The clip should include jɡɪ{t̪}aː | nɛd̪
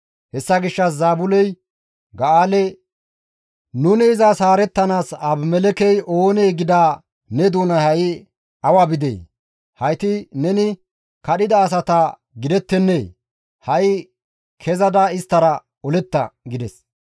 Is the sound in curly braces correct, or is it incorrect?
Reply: incorrect